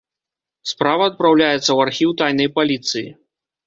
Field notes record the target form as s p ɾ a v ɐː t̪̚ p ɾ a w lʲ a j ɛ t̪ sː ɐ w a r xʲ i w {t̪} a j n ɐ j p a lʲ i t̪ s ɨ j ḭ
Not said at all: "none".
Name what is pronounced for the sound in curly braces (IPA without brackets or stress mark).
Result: t̪